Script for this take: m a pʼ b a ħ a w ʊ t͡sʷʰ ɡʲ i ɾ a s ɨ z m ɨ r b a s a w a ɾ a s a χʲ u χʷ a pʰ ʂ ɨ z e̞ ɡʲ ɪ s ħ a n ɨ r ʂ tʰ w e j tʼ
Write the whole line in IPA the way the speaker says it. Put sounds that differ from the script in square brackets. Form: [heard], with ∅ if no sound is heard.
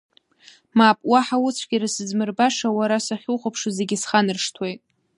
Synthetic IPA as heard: m a pʼ [w] a ħ a w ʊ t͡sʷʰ ɡʲ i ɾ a s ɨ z m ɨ r b a [ʂ] a w a ɾ a s a χʲ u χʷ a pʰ ʂ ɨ z e̞ ɡʲ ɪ s [χ] a n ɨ r ʂ tʰ w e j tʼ